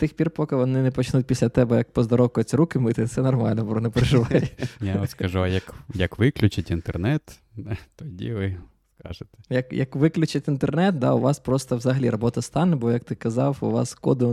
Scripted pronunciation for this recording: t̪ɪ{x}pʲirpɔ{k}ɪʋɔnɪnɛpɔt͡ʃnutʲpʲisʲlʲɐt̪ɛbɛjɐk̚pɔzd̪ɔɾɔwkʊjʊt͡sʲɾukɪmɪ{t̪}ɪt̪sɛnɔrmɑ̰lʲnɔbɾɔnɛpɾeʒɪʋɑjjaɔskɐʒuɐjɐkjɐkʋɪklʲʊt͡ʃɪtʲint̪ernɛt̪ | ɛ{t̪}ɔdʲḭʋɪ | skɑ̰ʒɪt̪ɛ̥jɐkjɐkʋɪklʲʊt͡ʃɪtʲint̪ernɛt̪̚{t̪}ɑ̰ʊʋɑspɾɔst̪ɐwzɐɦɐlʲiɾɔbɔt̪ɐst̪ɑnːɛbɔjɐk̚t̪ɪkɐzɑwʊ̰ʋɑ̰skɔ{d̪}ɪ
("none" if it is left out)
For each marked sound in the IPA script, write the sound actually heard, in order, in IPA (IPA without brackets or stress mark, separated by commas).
x, k, t̪, t̪, d̪, d̪